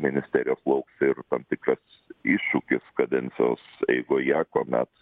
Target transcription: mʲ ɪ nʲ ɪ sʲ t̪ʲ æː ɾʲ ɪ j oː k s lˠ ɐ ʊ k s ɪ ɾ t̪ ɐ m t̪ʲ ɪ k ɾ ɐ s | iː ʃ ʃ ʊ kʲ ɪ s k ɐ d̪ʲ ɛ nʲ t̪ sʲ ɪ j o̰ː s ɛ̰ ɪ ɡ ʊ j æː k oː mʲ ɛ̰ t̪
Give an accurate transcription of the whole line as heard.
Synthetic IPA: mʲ ɪ nʲ ɪ sʲ t̪ʲ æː ɾʲ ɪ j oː s lˠ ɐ ʊ k s ɪ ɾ t̪ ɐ m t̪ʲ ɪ k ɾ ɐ s | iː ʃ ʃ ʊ kʲ ɪ s k ɐ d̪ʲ ɛ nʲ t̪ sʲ ɪ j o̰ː s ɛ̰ ɪ ɡ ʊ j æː k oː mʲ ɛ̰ t̪